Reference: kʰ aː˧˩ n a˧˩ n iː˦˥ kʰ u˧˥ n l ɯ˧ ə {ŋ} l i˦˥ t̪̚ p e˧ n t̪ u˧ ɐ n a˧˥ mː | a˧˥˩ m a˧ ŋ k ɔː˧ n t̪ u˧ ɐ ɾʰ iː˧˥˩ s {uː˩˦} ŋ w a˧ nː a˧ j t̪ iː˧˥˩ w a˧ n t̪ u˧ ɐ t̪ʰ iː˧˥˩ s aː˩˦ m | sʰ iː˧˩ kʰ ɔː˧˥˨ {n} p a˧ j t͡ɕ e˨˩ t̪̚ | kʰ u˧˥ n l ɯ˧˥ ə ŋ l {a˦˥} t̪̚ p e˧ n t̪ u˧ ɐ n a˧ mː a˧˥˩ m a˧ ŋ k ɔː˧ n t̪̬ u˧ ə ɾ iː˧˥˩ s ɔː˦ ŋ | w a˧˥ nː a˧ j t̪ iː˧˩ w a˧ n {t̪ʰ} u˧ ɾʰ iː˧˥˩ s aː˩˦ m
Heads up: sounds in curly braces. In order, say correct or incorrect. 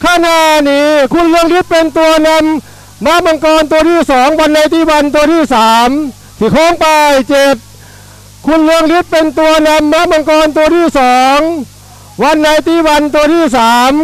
correct, incorrect, incorrect, incorrect, incorrect

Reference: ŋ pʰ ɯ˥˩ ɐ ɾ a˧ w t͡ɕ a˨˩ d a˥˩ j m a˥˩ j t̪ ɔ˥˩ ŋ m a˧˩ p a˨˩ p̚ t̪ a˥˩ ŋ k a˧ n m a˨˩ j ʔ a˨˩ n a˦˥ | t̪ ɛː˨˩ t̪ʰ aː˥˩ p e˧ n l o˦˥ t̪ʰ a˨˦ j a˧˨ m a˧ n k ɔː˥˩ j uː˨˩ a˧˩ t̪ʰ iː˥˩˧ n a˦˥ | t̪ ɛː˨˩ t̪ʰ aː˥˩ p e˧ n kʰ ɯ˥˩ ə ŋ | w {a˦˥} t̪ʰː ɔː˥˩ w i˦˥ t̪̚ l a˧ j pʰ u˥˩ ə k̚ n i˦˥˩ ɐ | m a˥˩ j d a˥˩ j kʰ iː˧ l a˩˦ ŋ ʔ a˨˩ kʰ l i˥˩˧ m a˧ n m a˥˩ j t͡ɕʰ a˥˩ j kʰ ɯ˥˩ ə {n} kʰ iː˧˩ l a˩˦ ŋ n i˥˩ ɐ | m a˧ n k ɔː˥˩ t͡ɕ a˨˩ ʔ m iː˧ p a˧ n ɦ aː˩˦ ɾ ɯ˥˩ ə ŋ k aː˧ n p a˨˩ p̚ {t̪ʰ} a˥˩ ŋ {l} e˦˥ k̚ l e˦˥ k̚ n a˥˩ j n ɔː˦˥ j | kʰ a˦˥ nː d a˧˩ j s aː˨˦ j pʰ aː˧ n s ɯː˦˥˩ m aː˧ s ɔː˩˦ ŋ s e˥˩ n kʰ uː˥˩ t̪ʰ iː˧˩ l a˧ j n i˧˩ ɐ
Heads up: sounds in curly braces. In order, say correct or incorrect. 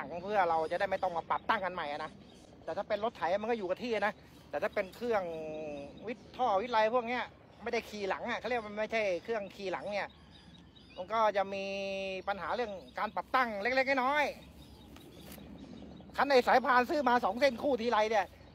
incorrect, incorrect, incorrect, correct

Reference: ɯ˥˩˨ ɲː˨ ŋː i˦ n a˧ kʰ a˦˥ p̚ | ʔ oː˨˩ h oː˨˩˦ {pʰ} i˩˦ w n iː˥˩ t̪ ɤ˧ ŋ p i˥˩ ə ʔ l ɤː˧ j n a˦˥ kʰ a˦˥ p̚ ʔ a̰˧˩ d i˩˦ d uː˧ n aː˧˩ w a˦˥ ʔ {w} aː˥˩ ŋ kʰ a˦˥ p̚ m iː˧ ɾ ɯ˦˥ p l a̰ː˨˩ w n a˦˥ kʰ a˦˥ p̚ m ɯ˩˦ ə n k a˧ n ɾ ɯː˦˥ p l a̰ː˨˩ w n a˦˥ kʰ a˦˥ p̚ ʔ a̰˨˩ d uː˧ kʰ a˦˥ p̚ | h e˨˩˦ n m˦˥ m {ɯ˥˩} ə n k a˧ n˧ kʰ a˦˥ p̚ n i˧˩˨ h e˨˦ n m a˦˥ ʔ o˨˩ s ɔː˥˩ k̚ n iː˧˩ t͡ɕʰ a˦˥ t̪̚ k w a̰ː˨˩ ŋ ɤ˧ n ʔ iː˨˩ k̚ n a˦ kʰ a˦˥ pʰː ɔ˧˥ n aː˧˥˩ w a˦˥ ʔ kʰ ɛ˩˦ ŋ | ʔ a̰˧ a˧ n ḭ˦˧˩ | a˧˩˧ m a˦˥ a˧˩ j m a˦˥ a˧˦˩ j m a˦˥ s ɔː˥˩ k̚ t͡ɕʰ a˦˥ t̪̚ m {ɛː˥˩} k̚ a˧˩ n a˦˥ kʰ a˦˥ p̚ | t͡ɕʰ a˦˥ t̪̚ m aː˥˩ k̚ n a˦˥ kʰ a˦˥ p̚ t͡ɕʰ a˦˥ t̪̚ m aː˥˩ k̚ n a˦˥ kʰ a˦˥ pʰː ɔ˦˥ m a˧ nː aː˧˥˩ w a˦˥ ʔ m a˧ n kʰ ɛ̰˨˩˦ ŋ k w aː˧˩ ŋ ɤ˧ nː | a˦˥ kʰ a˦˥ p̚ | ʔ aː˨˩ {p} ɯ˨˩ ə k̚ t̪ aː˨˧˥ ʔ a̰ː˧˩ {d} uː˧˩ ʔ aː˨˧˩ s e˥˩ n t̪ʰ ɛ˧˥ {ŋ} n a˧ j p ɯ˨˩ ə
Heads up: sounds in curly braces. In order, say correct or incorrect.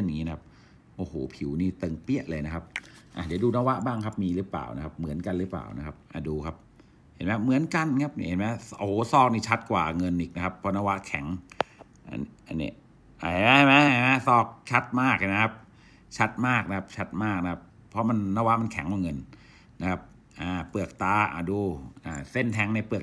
correct, incorrect, incorrect, incorrect, correct, correct, correct

